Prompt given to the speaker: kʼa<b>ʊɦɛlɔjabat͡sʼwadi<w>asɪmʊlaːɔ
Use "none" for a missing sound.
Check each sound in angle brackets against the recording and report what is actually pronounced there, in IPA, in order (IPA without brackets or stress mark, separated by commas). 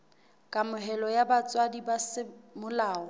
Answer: m, b